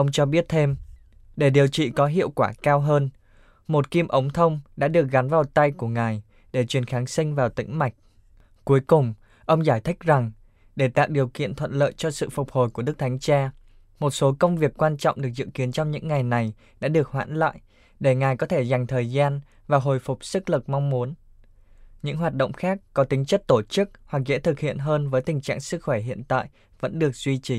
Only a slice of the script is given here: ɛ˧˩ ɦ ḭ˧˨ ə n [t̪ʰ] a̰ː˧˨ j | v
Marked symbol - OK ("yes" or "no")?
no